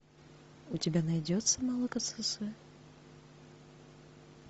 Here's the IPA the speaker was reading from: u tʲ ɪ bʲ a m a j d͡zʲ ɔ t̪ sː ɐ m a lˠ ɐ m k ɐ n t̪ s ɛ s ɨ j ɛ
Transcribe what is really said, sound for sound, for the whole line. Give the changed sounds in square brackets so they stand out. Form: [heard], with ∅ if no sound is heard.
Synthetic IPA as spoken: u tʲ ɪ bʲ a [n] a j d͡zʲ ɔ t̪ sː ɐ m a lˠ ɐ [∅] k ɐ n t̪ s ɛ s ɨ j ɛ